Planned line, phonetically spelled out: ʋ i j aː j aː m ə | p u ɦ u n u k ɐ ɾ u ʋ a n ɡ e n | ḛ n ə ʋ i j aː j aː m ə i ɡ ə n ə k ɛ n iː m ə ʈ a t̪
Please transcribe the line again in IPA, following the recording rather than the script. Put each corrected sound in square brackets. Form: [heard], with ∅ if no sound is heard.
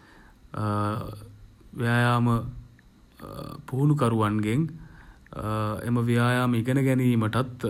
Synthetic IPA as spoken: ʋ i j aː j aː m ə | p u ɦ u n u k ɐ ɾ u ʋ a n ɡ e [ŋ] | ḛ [m] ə ʋ i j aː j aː m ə i ɡ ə n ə [ɡ] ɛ n iː m ə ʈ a t̪